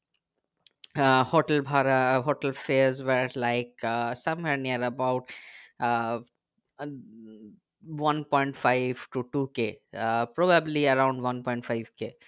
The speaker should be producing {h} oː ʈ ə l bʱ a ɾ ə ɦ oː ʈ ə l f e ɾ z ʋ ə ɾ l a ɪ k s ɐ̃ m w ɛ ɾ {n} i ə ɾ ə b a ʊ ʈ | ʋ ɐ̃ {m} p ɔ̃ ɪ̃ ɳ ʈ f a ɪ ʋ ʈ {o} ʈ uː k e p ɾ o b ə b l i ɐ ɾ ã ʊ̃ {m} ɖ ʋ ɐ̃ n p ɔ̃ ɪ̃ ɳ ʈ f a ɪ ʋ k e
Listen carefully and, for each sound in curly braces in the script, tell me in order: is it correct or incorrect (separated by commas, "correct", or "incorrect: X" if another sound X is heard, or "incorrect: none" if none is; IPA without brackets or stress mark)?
correct, correct, incorrect: n, incorrect: u, incorrect: ɳ